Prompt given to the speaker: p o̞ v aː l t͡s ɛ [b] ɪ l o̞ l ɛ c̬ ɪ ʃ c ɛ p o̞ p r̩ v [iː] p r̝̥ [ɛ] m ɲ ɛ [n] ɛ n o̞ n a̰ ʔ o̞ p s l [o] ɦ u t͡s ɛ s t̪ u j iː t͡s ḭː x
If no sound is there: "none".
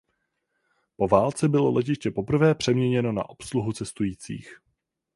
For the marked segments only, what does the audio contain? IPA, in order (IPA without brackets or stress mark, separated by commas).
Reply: b, ɛː, ɛ, ɲ, u